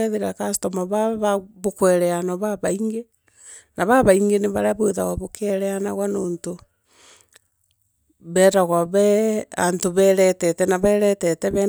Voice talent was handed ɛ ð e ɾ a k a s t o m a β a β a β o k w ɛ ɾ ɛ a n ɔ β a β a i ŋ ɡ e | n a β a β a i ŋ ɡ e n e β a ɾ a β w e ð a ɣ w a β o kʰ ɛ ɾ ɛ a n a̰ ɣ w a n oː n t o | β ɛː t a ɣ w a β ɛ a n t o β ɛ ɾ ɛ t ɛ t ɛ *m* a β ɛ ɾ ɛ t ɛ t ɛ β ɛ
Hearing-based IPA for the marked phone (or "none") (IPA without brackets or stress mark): n